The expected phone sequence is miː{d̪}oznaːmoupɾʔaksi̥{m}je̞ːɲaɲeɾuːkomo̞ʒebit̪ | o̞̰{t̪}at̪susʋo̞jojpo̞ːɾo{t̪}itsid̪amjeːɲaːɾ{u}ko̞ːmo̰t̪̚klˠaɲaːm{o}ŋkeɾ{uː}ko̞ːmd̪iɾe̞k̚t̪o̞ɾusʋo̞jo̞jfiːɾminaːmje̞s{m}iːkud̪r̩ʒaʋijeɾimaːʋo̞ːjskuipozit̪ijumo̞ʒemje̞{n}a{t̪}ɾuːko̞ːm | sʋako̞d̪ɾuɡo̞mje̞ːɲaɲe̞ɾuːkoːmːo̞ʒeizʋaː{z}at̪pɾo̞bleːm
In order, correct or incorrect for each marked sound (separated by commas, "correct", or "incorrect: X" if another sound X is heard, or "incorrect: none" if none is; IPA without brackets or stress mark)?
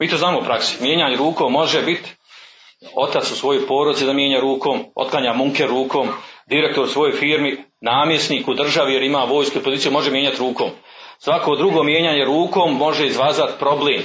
incorrect: t̪, correct, correct, incorrect: d̪, incorrect: uː, incorrect: u, correct, incorrect: n, incorrect: ɲ, correct, correct